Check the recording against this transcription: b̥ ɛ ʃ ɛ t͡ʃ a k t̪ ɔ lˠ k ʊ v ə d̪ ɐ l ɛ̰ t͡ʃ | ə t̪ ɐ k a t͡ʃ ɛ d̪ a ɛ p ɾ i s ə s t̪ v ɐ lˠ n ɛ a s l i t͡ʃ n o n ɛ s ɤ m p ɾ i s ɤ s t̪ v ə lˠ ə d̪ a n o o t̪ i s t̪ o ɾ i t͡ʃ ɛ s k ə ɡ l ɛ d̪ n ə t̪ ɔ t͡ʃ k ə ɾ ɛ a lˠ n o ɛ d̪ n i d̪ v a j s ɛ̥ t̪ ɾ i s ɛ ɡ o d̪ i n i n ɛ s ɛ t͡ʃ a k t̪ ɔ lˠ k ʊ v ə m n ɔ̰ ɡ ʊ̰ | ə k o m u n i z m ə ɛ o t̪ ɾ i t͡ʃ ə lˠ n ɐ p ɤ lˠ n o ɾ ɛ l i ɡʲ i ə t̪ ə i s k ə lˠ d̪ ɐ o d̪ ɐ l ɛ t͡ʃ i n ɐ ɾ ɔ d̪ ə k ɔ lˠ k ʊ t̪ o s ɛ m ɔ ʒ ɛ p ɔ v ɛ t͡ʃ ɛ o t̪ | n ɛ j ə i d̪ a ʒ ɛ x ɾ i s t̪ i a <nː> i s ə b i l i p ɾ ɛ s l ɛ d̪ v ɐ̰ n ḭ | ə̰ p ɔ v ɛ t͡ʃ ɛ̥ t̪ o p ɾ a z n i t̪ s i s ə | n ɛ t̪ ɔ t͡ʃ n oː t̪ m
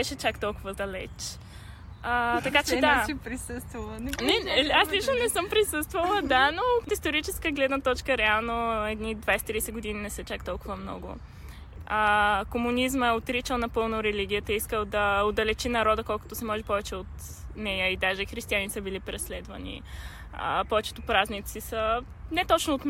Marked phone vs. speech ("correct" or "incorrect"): incorrect